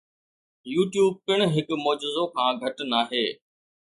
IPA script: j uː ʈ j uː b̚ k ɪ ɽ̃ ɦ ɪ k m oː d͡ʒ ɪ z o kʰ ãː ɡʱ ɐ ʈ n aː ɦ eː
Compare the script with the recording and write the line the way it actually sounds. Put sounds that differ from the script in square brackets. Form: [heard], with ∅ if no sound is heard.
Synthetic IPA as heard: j uː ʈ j uː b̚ k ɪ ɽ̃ ɦ ɪ k m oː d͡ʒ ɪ z o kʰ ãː ɡʱ ɐ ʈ n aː ɦ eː

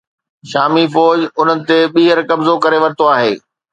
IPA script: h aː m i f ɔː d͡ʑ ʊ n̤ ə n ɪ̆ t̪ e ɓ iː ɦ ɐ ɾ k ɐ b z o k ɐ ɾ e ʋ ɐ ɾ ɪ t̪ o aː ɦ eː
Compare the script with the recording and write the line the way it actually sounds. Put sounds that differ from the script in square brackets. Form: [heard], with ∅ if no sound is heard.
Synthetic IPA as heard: [ʃ] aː m i f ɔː d͡ʑ ʊ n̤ ə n ɪ̆ t̪ e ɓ iː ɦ [ə] ɾ k ɐ b z o k ɐ ɾ e ʋ ɐ ɾ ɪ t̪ o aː ɦ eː

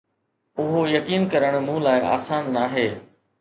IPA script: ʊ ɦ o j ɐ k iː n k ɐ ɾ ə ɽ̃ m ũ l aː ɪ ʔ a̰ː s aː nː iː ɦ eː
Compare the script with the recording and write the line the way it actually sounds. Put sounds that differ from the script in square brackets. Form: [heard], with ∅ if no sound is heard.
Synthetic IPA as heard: ʊ ɦ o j ɐ k iː n k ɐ ɾ ə ɽ̃ m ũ l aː ɪ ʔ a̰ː s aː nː [aː] ɦ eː

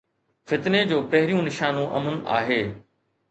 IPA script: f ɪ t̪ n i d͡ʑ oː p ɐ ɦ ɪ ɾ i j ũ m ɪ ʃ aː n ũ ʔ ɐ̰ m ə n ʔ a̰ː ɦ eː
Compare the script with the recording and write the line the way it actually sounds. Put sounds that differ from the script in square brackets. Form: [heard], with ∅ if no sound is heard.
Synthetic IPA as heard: f ɪ t̪ n [e] d͡ʑ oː p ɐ ɦ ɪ ɾ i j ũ [n] ɪ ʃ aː n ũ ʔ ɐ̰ m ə n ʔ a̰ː ɦ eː

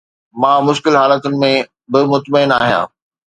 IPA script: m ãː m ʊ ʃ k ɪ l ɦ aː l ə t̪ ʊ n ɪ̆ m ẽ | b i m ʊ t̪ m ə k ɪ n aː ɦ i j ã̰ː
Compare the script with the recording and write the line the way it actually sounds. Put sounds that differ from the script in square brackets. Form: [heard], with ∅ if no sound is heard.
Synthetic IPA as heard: m ãː m ʊ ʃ k ɪ l ɦ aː l ə t̪ ʊ n ɪ̆ m ẽ | b [ɪ] m ʊ t̪ m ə [∅] ɪ n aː ɦ i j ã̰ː

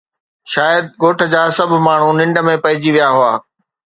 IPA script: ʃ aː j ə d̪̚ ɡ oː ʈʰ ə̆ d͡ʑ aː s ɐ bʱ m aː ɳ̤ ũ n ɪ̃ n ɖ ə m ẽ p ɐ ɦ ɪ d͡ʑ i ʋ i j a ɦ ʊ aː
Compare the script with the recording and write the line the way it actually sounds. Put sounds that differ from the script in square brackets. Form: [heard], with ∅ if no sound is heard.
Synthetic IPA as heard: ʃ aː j ə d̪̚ ɡ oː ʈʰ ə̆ d͡ʑ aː s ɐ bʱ m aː ɳ̤ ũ n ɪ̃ [ɳ] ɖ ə m ẽ p ɐ ɦ ɪ d͡ʑ i ʋ i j a ɦ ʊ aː

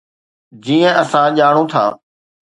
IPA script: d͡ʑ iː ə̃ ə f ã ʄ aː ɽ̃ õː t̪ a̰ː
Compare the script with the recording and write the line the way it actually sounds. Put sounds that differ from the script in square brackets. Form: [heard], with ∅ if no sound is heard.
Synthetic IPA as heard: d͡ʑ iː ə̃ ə [s] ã ʄ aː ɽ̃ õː [t̪ʰ] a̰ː

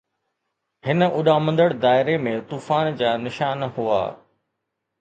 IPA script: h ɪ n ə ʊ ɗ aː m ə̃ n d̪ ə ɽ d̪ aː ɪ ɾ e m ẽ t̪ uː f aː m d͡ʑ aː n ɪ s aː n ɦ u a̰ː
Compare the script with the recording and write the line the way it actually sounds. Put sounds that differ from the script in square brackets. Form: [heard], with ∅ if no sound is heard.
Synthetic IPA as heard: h ɪ n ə ʊ ɗ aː m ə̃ n d̪ ə ɽ d̪ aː ɪ ɾ e m ẽ t̪ uː f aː [n] d͡ʑ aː n ɪ [ʃ] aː n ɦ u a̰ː

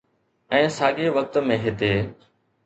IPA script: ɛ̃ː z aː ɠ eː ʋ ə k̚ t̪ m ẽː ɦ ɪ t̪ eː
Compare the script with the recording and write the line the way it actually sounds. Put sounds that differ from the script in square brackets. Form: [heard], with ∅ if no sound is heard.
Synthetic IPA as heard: ɛ̃ː [s] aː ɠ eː ʋ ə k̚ t̪ m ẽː ɦ ɪ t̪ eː

